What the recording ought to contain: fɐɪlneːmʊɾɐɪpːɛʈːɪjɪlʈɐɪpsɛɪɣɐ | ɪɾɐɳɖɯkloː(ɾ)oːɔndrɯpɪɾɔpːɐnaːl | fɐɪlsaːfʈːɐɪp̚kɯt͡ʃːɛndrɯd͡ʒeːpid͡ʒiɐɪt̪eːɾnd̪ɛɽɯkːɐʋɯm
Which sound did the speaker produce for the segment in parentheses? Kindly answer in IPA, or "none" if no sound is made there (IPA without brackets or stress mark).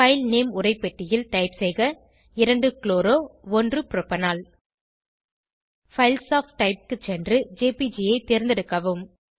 ɾ